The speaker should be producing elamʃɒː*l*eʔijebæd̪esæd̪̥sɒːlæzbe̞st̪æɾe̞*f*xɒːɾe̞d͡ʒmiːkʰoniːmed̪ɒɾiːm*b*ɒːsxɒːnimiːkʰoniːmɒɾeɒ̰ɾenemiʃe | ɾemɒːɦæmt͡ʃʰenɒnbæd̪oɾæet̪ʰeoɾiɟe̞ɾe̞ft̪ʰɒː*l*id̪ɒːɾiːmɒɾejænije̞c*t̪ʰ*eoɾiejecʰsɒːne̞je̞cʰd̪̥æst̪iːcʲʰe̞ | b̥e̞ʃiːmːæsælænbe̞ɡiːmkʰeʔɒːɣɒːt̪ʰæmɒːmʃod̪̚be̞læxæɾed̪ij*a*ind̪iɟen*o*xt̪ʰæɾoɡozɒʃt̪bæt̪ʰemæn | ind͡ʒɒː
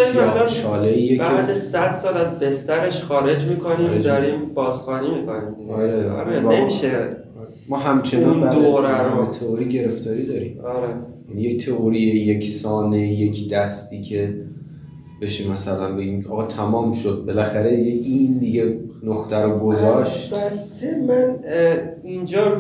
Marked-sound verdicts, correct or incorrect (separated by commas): correct, incorrect, correct, incorrect, correct, incorrect, correct